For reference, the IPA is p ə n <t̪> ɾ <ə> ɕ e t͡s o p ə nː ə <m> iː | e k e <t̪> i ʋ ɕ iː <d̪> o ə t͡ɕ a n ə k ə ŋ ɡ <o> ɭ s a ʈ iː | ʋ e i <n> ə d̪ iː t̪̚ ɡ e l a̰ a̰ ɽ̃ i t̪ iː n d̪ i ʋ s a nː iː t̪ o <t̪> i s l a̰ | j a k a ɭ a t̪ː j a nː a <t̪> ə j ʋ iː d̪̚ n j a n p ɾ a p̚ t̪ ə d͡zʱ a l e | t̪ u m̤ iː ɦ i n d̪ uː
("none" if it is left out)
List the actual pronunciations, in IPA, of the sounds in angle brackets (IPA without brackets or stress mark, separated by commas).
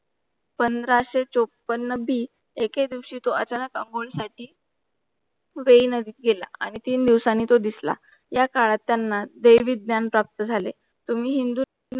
d̪, a, b, d̪, t̪, o, n, d̪, d̪